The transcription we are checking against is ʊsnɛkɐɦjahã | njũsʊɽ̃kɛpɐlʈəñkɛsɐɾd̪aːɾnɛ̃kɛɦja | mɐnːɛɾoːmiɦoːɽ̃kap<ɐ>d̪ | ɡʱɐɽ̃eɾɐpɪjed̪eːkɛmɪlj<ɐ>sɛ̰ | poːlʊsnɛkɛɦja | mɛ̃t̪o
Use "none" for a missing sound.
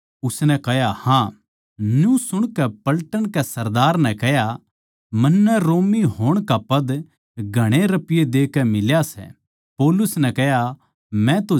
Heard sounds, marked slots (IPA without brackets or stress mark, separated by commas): ɐ, a